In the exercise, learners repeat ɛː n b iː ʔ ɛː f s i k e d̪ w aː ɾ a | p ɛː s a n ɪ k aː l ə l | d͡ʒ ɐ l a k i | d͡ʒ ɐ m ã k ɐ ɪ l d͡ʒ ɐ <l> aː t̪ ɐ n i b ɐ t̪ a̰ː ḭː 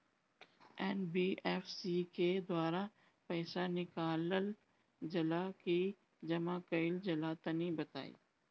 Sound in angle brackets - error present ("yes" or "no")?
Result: no